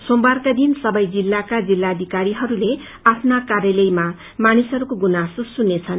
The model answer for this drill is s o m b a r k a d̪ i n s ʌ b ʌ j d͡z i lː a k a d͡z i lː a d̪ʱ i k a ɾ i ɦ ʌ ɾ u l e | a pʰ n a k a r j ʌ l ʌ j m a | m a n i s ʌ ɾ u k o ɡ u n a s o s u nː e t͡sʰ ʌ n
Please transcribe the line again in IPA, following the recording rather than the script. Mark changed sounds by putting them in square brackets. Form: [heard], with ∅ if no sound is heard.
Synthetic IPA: s o m b a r k a d̪ i n s ʌ b ʌ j d͡z i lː a k a d͡z i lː a d̪ʱ i k a ɾ i ɦ ʌ ɾ u l e | a pʰ n a k a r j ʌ l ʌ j m a | m a n i s ʌ ɾ u k o ɡ u n a s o s u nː e t͡sʰ ʌ n